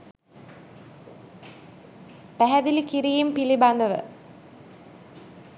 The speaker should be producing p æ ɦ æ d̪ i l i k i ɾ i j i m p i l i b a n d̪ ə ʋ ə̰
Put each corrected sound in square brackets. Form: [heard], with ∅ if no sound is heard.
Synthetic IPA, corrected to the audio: p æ ɦ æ d̪ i l i k i ɾ i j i m p i l i b a n d̪ ə ʋ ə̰